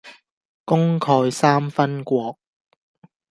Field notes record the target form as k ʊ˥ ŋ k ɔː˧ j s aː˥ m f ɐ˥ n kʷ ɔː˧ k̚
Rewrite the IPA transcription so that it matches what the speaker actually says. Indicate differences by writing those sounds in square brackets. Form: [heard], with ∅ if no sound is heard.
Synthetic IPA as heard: k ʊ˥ ŋ [kʰ] ɔː˧ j s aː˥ m f ɐ˥ n kʷ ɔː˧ k̚

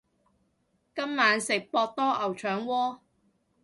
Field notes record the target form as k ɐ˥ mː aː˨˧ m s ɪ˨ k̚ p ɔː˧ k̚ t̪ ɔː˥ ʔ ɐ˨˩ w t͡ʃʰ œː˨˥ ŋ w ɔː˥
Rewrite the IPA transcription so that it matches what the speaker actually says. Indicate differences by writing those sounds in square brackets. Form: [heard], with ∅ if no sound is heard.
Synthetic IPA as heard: k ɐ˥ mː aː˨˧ [n] s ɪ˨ k̚ p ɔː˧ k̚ t̪ ɔː˥ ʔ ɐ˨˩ w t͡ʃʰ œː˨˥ ŋ w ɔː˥

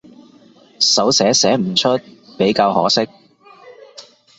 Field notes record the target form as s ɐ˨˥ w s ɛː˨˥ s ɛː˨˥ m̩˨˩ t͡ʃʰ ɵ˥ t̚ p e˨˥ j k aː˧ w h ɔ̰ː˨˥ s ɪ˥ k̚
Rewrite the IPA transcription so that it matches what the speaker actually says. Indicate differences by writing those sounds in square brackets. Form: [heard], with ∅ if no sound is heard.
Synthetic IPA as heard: s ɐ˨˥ w s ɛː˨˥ s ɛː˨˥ m̩˨˩ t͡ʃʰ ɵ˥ t̚ p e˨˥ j k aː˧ w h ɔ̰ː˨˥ s ɪ˥ k̚

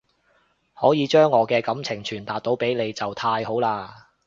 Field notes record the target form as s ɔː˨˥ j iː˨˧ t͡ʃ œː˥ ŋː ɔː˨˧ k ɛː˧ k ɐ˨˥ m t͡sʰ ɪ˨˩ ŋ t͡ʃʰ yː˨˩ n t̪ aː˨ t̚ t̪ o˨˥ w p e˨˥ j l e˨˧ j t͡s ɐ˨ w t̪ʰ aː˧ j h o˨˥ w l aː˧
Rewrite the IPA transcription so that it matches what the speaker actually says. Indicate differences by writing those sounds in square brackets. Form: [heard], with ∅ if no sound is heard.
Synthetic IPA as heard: [h] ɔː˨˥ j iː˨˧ t͡ʃ œː˥ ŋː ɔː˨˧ k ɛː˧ k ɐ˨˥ m t͡sʰ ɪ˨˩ ŋ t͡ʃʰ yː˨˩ n t̪ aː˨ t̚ t̪ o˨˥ w p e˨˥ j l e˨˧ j t͡s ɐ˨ w t̪ʰ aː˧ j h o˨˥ w l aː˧

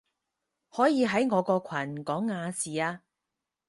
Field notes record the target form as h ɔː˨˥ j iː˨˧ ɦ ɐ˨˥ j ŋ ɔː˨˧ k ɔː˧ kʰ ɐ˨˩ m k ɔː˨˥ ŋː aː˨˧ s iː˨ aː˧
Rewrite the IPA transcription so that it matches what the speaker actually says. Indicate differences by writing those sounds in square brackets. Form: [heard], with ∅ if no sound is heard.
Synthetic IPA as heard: h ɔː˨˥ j iː˨˧ ɦ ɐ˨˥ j ŋ ɔː˨˧ k ɔː˧ kʰ ɐ˨˩ [n] k ɔː˨˥ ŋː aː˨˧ s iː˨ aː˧

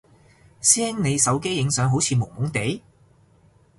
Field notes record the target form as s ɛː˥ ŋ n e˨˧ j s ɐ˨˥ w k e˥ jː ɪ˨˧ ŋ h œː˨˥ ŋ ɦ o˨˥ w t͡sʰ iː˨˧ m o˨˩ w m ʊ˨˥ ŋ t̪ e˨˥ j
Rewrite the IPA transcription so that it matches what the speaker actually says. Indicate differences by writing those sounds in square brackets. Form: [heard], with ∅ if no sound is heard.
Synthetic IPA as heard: s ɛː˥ ŋ n e˨˧ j s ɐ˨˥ w k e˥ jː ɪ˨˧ ŋ [s] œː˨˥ ŋ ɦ o˨˥ w t͡sʰ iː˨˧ m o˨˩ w m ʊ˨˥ ŋ t̪ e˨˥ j

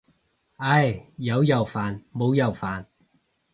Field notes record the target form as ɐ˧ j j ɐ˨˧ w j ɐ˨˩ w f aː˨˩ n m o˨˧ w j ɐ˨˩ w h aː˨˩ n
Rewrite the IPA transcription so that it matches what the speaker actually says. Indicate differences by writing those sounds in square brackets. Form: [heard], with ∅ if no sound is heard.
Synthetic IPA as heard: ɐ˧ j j ɐ˨˧ w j ɐ˨˩ w f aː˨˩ n m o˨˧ w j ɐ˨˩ w [f] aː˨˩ n

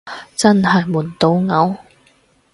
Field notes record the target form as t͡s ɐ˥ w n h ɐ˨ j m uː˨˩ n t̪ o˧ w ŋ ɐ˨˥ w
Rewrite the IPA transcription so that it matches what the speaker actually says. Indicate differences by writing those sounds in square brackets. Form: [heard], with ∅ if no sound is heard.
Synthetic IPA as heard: t͡s ɐ˥ [∅] n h ɐ˨ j m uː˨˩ n t̪ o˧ w ŋ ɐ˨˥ w

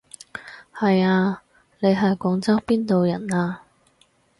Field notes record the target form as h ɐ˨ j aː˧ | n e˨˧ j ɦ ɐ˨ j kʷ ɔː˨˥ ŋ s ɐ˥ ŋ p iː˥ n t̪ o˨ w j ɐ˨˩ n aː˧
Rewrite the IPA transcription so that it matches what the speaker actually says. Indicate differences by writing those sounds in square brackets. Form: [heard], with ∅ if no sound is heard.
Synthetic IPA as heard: h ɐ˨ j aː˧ | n e˨˧ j ɦ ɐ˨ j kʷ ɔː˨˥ ŋ [t͡s] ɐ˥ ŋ p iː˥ n t̪ o˨ w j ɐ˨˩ n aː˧

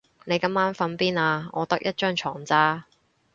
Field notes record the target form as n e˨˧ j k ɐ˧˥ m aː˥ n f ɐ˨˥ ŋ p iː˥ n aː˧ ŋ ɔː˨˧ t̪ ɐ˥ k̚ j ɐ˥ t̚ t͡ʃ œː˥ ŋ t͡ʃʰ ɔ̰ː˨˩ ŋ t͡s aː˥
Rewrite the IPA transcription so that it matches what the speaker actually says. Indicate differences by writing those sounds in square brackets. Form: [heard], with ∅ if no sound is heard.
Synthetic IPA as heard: n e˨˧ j k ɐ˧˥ m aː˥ n f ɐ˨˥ [n] p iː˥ n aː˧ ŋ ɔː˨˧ t̪ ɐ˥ k̚ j ɐ˥ t̚ t͡ʃ œː˥ ŋ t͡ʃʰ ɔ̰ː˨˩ ŋ t͡s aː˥

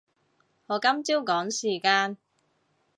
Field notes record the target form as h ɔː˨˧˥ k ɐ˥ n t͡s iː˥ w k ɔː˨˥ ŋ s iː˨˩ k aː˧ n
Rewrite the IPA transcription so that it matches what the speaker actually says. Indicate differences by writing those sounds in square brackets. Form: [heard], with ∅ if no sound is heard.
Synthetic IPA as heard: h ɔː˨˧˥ k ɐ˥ [m] t͡s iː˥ w k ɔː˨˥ ŋ s iː˨˩ k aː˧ n

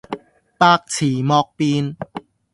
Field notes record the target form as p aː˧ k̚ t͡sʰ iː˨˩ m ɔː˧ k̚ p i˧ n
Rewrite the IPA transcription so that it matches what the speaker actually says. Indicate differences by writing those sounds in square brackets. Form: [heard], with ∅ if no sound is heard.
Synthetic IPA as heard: p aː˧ k̚ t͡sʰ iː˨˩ m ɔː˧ k̚ p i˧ n

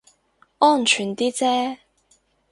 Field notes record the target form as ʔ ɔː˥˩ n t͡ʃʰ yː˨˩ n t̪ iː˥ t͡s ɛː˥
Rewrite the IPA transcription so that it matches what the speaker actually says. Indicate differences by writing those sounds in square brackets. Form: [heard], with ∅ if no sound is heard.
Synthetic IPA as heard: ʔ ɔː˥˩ n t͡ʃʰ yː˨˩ n t̪ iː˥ t͡s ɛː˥

